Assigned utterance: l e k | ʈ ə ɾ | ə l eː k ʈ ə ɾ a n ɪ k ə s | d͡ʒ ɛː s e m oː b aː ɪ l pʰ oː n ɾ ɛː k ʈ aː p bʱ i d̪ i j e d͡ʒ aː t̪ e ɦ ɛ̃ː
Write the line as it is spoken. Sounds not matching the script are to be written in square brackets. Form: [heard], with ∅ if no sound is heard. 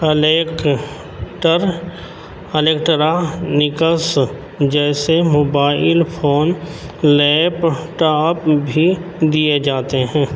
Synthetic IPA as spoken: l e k | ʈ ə ɾ | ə l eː k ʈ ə ɾ a n ɪ k ə s | d͡ʒ ɛː s e m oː b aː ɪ l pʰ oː n [l] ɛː [p] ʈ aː p bʱ i d̪ i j e d͡ʒ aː t̪ e ɦ ɛ̃ː